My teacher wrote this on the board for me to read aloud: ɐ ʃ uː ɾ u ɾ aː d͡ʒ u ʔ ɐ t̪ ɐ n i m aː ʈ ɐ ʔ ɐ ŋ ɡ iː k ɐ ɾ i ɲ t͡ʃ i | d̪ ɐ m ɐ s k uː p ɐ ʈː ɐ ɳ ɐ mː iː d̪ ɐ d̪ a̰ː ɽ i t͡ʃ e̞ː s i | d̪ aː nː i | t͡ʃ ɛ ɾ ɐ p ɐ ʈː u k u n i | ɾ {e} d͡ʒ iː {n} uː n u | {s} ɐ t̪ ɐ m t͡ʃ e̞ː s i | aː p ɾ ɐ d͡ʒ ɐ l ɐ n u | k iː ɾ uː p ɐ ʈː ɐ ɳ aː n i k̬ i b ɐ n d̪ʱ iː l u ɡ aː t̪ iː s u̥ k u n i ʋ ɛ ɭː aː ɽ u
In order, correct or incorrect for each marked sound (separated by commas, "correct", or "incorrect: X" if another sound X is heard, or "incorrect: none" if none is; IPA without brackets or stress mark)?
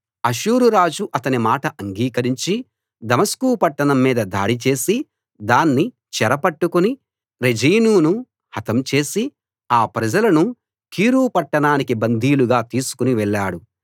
correct, correct, incorrect: h